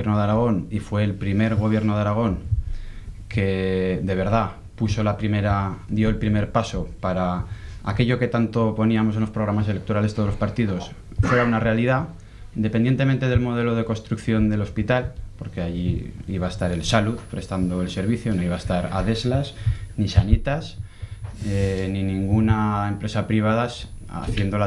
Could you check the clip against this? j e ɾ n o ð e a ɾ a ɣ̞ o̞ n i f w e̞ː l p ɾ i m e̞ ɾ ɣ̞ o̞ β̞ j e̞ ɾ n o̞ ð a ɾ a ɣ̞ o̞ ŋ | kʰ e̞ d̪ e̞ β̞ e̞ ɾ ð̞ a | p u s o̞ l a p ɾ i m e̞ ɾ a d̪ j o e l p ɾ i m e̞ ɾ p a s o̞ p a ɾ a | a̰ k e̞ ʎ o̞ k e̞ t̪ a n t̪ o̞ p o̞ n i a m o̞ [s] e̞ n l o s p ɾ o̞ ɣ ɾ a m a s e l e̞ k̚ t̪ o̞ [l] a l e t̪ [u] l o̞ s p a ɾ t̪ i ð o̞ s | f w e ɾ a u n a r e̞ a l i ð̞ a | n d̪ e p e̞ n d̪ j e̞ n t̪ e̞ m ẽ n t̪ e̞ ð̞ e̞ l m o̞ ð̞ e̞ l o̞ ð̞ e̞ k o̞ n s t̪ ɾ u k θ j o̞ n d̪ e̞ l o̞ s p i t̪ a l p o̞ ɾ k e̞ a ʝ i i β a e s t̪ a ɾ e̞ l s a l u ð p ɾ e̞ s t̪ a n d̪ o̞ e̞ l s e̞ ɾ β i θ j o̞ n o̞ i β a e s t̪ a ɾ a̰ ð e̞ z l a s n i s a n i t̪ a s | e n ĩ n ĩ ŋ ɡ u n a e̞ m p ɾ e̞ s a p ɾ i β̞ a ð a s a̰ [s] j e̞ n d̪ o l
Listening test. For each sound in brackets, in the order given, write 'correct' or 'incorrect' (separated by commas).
correct, incorrect, incorrect, incorrect